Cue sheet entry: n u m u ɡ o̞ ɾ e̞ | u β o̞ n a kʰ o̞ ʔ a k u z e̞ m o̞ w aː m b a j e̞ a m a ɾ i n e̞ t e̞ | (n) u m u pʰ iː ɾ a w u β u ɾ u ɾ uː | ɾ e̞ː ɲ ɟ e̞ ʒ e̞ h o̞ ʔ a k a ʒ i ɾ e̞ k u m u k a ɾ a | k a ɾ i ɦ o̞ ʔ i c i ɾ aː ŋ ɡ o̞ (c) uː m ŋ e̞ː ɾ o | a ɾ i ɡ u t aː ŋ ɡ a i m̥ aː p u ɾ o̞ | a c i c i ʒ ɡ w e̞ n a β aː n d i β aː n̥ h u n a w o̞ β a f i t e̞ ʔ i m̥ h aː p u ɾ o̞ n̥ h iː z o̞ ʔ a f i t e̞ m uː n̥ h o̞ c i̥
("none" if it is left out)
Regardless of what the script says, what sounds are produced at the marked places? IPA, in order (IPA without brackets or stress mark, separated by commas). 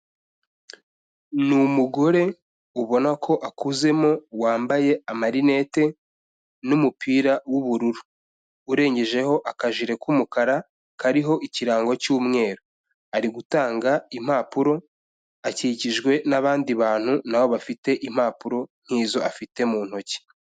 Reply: n, c